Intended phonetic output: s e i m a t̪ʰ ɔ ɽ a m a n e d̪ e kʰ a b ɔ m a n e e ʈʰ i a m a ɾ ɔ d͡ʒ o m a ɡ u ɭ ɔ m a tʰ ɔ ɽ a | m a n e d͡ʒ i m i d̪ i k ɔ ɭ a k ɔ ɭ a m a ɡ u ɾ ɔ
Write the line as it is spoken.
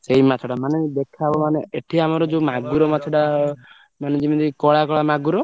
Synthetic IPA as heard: s e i m a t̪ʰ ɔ ɽ a m a n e d̪ e kʰ a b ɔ m a n e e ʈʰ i a m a ɾ ɔ d͡ʒ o m a ɡ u ɾ ɔ m a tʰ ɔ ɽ a | m a n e d͡ʒ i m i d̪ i k ɔ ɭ a k ɔ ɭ a m a ɡ u ɾ ɔ

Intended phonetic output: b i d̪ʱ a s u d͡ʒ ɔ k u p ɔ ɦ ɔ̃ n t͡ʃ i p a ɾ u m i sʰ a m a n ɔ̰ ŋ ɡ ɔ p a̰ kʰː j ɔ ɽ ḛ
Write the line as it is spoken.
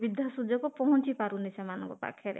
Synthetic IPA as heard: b i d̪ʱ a s u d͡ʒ ɔ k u p ɔ ɦ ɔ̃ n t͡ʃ i p a ɾ u n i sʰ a m a n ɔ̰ ŋ k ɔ p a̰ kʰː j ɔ ɾ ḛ

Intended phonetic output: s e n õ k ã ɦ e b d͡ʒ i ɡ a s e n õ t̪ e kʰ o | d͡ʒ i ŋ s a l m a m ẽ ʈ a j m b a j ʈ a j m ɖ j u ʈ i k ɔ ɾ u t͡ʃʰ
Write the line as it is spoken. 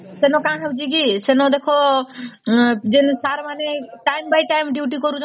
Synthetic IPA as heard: s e n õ k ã ɦ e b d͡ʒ i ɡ i s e n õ d̪ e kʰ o | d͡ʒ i n s a ɾ m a n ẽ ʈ a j m b a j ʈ a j m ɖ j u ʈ i k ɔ ɾ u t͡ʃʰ

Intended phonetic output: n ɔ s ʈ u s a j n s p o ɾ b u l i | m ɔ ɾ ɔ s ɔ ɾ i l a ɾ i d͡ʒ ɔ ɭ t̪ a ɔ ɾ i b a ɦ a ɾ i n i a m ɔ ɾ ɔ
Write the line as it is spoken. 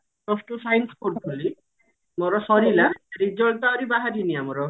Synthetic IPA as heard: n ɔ s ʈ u s a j n s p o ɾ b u l i | m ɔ ɾ ɔ s ɔ ɾ i l a ɾ i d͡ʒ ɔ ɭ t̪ a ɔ ɾ i b a ɦ a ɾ i n i a m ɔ ɾ ɔ

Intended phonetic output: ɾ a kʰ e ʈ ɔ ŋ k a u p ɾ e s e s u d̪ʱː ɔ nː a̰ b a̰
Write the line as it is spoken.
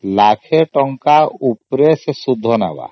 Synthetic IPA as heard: l a kʰ e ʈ ɔ ŋ k a u p ɾ e s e s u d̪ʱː ɔ n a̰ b a̰

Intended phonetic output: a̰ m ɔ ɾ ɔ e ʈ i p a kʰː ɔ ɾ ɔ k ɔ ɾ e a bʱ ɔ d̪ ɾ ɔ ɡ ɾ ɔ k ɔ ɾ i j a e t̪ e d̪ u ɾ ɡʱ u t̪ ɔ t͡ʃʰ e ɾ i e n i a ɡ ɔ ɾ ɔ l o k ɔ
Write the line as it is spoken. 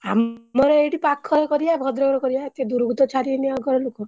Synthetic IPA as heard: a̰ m ɔ ɾ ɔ e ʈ i p a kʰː ɔ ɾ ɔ k ɔ ɾ i a bʱ ɔ d̪ ɾ ɔ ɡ ɾ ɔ k ɔ ɾ i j a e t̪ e d̪ u ɾ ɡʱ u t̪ ɔ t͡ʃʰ a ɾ i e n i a ɡ ɔ ɾ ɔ l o k ɔ

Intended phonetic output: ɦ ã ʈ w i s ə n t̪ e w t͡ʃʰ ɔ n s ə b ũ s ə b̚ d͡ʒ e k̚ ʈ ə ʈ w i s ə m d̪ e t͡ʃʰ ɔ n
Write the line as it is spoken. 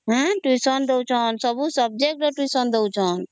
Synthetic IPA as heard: ɦ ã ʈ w i s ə n d̪ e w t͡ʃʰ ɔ n s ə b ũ s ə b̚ d͡ʒ e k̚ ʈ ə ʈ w i s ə n d̪ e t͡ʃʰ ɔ n

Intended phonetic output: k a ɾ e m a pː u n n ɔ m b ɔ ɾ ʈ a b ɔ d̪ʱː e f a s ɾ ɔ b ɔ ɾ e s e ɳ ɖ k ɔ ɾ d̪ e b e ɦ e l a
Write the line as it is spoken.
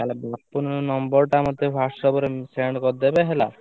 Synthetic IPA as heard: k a l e b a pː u n n ɔ m b ɔ ɾ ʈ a m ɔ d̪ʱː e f a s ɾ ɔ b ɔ ɾ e s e ɳ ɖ k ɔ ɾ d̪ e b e ɦ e l a

